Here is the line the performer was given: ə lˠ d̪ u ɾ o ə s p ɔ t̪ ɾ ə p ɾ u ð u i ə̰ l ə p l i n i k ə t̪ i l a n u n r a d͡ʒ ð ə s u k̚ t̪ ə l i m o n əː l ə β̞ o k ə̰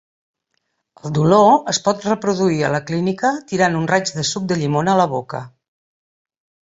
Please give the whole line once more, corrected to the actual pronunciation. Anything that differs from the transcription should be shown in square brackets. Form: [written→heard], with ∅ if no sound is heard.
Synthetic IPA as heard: ə lˠ d̪ u [ɾ→l] o ə s p ɔ t̪ [ɾ→r] ə p ɾ u ð u i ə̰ l ə [p→k] l i n i k ə t̪ i [l→ɾ] a n u n r a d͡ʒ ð ə s u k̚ [t̪→d̪] ə [l→ʎ] i m o n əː l ə β̞ o k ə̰